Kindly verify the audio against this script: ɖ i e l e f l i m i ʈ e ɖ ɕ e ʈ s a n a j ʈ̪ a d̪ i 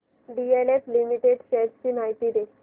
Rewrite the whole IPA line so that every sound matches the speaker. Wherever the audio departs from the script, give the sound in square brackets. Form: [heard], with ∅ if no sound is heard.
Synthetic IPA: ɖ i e l e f l i m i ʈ e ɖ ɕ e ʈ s [i] n a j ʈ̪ [i] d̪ [e]